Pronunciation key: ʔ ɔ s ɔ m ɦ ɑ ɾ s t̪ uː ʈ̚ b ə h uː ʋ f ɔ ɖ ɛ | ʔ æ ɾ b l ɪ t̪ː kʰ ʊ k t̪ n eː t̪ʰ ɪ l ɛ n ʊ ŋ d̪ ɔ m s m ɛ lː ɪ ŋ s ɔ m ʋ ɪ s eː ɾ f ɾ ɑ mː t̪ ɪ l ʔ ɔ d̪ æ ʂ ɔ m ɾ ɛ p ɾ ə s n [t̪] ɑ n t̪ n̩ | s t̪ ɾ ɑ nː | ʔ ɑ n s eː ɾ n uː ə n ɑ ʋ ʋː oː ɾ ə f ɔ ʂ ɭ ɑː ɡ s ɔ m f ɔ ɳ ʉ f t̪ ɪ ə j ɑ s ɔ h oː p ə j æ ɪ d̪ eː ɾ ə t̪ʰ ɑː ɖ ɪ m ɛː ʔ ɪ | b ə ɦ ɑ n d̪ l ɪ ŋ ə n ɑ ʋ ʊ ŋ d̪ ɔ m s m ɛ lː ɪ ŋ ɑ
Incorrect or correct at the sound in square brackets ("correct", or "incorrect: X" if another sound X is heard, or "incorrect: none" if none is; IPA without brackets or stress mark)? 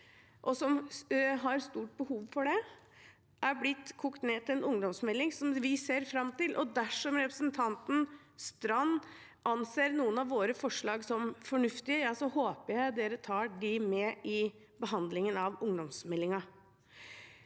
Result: incorrect: t̪ʰ